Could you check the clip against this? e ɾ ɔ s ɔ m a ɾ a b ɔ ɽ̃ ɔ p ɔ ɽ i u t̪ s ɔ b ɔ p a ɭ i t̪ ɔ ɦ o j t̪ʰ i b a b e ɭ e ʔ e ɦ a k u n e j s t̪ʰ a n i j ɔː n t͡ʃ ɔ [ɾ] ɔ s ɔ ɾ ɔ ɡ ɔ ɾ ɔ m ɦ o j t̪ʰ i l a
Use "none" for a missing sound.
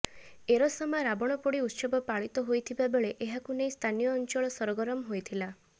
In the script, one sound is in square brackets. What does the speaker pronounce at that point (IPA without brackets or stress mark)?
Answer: ɭ